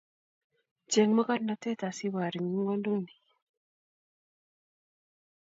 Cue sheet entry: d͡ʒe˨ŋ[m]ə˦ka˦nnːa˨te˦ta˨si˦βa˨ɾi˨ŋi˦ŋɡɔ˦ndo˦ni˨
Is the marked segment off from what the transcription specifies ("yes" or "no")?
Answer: no